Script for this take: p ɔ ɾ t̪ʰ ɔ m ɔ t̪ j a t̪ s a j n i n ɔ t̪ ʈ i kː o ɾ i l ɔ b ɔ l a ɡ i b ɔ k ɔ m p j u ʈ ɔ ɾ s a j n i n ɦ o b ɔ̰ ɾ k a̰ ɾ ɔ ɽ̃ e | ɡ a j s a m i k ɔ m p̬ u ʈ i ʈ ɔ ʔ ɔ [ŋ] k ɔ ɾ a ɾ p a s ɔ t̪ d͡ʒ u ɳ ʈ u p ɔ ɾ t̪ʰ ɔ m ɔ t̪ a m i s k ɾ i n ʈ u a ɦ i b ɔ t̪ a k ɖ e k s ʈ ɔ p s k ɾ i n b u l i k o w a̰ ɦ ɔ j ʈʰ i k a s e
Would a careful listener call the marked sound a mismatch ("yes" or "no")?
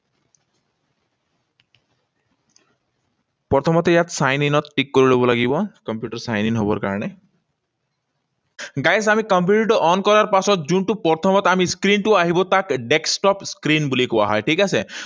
yes